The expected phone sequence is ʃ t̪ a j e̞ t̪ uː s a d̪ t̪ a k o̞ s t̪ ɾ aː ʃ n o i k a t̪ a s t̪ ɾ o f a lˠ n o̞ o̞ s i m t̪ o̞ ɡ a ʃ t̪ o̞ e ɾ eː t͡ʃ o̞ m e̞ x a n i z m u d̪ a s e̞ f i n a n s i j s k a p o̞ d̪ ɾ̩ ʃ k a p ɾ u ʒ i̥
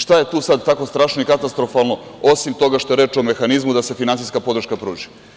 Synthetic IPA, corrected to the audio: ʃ t̪ a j e̞ t̪ uː s a d̪ t̪ a k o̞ s t̪ ɾ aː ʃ n o i k a t̪ a s t̪ ɾ o f a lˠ n o̞ o̞ s i m t̪ o̞ ɡ a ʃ t̪ o̞ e ɾ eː t͡ʃ o̞ m e̞ x a n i z m u d̪ a s e̞ f i n a n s i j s k a p o̞ d̪ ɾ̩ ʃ k a p ɾ uː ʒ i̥